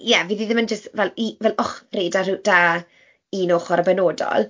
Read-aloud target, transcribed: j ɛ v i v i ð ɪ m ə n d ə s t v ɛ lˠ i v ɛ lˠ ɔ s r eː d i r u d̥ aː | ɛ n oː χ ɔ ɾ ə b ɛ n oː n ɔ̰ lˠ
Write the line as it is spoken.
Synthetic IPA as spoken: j ɛ v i ð i ð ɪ m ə n d͡ʒ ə s t v ɛ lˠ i v ɛ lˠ ɔ χ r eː d a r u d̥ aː | i n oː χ ɔ ɾ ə b ɛ n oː d ɔ̰ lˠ